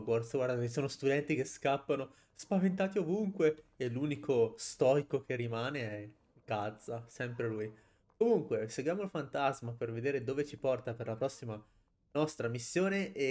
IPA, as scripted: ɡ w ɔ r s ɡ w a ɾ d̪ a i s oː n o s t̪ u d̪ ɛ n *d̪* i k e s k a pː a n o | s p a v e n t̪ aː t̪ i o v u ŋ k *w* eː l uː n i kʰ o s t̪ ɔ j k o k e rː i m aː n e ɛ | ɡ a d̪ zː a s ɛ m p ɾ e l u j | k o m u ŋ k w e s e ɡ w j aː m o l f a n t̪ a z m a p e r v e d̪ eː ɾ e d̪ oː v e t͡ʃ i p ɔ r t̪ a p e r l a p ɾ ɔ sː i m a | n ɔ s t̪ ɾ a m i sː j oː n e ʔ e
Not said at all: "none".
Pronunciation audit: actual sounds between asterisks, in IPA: t̪, w

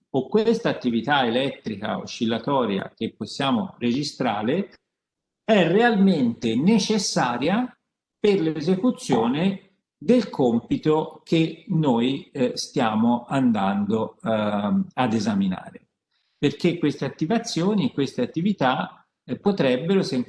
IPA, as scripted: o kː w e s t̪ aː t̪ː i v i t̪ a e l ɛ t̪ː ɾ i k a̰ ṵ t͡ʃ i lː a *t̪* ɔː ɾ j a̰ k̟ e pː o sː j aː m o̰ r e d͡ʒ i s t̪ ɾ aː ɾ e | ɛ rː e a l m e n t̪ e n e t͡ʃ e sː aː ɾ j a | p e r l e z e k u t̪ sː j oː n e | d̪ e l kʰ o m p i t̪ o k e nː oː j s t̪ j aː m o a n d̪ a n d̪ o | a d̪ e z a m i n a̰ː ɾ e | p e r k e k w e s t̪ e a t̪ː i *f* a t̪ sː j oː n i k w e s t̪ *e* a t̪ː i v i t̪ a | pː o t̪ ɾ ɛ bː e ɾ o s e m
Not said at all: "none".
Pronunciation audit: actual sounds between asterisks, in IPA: t̪, v, e

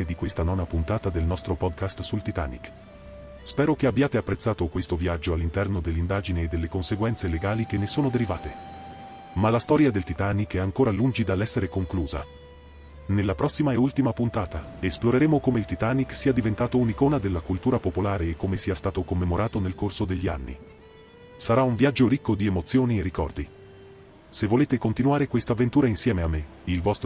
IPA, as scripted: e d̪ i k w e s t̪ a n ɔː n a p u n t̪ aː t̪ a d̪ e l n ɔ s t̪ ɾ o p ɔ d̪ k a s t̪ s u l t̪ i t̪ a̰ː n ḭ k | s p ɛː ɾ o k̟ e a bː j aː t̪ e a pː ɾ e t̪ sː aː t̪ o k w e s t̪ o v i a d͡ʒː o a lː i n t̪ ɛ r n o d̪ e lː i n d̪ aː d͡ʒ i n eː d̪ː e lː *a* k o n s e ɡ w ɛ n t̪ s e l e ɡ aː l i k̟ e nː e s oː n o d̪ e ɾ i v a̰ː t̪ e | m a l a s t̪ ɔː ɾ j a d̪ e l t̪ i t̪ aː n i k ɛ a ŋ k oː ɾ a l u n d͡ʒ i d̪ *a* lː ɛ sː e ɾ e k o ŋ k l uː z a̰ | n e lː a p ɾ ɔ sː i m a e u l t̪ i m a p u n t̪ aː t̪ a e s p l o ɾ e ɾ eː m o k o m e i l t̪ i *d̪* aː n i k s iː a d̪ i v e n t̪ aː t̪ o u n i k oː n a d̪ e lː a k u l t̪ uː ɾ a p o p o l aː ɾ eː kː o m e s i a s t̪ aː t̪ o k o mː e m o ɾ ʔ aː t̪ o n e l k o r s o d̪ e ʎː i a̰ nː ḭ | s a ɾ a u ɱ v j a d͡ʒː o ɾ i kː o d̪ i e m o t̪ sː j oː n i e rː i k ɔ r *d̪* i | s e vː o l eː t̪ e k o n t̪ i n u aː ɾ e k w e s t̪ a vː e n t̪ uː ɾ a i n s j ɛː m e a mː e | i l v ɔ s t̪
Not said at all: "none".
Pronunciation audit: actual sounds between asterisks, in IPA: e, a, t̪, d̪

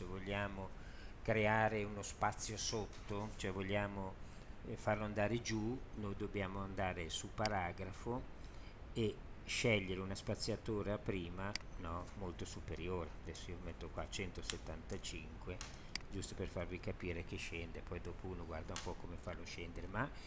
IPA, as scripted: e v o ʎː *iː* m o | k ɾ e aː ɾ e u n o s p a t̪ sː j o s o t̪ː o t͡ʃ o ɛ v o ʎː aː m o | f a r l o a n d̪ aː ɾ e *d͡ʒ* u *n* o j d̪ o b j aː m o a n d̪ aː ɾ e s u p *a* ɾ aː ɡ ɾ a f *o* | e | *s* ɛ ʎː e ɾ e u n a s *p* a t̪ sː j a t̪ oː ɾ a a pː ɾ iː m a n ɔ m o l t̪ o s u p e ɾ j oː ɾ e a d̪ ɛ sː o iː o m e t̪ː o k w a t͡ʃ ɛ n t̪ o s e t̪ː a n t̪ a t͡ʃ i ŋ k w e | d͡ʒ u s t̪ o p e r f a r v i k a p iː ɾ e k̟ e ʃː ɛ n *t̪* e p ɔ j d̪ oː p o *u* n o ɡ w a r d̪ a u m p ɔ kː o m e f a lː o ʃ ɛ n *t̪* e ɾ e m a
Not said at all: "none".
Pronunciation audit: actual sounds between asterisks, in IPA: aː, d͡ʒ, n, a, o, ʃ, p, d̪, uː, d̪

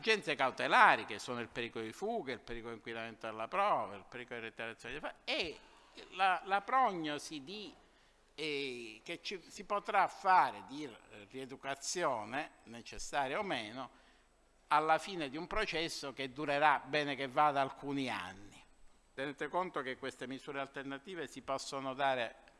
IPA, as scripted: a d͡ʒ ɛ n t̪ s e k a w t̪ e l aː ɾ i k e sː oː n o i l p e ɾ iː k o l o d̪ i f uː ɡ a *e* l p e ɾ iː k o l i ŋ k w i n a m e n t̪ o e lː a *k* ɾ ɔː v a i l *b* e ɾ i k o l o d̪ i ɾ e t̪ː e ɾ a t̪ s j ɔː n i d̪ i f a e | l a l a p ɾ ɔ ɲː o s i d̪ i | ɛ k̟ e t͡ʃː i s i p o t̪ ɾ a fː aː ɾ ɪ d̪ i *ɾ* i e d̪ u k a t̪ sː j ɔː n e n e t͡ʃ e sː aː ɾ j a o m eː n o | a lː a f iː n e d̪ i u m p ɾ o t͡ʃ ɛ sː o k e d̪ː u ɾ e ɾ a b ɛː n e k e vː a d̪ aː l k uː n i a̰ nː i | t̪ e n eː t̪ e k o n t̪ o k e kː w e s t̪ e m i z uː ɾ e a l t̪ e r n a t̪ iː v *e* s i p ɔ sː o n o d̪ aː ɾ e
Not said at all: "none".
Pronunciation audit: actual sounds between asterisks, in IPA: i, p, p, r, e

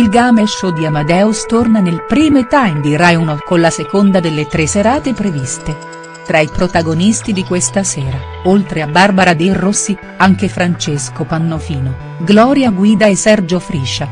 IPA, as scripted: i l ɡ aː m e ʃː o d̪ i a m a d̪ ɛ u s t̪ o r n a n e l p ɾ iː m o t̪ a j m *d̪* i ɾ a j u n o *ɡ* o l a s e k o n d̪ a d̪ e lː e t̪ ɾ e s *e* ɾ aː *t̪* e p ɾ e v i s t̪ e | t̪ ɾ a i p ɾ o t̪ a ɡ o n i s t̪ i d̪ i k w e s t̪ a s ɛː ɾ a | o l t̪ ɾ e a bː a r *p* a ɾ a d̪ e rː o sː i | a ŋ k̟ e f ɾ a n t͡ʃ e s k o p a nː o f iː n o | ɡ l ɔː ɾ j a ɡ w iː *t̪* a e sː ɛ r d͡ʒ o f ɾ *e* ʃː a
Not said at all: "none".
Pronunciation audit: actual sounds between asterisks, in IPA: d̪, k, e, t̪, b, d̪, i

